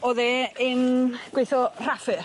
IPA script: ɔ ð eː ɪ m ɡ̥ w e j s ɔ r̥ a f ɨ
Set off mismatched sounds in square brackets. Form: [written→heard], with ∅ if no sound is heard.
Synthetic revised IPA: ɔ ð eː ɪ [m→n] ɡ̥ w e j [s→θ] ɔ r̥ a f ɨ